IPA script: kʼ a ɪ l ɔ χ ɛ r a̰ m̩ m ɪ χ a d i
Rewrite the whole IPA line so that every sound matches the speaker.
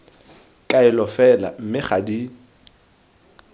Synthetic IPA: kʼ a ɪ l ɔ f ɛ l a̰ m̩ m ɪ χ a d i